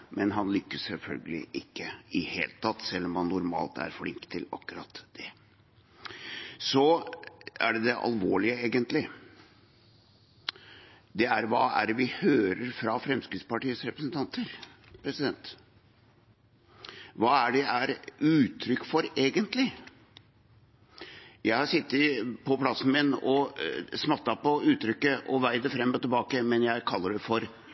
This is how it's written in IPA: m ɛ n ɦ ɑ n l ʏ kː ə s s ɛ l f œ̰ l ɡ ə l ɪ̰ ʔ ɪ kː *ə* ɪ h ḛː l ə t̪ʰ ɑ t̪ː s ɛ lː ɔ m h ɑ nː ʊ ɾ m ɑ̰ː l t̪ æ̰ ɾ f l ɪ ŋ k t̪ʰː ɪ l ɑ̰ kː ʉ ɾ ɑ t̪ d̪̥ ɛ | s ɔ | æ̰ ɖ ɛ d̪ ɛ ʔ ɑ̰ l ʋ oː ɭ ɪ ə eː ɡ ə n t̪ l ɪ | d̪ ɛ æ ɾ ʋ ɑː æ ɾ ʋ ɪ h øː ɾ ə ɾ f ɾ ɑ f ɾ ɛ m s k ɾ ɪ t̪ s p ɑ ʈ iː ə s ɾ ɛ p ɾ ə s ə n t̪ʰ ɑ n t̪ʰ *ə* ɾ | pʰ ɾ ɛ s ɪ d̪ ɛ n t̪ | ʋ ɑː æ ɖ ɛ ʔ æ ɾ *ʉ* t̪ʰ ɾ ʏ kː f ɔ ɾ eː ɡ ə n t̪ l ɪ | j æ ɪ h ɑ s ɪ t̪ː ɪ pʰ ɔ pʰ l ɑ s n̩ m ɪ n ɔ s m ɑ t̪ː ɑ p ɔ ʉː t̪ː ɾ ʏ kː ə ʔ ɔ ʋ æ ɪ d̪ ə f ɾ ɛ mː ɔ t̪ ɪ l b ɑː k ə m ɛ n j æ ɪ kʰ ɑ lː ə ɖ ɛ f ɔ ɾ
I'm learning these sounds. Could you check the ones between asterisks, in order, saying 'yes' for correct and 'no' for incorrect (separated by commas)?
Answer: yes, yes, no